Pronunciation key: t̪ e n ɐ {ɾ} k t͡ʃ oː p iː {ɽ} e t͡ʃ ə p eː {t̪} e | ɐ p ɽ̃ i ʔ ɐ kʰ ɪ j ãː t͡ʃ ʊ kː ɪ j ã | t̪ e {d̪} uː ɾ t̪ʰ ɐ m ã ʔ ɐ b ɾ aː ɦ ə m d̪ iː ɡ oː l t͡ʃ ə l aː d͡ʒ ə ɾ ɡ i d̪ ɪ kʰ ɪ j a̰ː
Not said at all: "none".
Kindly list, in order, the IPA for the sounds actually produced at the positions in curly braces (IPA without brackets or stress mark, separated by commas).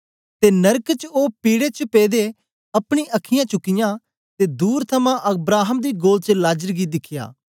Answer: ɾ, ɽ, d̪, d̪